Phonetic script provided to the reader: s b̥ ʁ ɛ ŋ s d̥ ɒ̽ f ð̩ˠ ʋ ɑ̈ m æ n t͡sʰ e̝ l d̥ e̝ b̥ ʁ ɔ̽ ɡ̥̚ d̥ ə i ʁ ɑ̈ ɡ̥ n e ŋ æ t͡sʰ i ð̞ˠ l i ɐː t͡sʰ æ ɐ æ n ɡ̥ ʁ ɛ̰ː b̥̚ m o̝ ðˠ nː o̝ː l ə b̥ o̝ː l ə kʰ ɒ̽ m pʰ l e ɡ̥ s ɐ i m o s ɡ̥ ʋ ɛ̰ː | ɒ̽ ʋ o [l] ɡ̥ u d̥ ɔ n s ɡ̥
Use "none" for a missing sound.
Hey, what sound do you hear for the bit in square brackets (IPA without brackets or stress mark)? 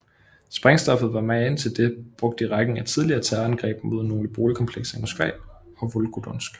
l